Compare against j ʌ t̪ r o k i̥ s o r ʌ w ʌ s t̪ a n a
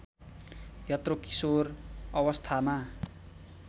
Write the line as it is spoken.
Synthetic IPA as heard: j ʌ t̪ r o k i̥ s o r ʌ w ʌ s t̪ʰ a m a